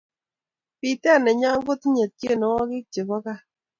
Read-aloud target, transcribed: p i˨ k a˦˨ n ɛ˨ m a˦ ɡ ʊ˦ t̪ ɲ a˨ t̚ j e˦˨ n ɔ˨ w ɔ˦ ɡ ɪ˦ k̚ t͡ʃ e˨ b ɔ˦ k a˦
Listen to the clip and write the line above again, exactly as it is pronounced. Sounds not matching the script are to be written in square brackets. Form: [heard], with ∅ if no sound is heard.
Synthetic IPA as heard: p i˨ [t] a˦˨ n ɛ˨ [ɲ] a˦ ɡ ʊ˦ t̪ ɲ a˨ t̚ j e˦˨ n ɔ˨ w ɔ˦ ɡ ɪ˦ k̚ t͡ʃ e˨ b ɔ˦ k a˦